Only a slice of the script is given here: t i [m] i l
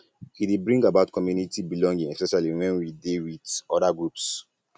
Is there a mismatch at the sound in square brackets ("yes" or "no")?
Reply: yes